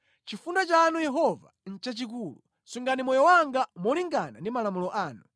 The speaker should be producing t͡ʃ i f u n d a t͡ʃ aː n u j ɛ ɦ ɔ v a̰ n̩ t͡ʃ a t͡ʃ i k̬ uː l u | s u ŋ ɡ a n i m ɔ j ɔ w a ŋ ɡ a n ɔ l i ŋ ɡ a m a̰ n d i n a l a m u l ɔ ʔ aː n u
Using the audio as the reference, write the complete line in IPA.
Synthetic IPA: t͡ʃ i f u n d a t͡ʃ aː n u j ɛ ɦ ɔ v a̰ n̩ t͡ʃ a t͡ʃ i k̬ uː l u | s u ŋ ɡ a n i m ɔ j ɔ w a ŋ ɡ a m ɔ l i ŋ ɡ a n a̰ n d i m a l a m u l ɔ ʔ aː n u